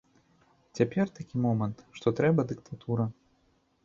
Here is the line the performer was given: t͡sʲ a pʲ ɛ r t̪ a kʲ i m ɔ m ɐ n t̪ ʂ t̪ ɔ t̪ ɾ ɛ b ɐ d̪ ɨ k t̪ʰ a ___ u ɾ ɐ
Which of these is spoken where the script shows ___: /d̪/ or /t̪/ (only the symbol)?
t̪